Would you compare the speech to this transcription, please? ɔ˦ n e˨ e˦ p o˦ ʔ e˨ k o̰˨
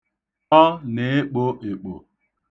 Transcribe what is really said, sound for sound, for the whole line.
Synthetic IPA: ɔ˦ n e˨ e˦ k͡p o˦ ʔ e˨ k͡p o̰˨